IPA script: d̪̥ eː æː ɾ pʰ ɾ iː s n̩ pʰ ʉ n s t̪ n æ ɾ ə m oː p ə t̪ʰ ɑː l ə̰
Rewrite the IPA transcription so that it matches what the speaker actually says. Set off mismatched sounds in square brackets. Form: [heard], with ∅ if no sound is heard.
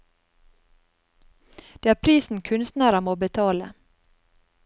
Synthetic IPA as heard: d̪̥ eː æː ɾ pʰ ɾ iː s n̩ [kʰ] ʉ n s t̪ n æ ɾ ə m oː [b] ə t̪ʰ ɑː l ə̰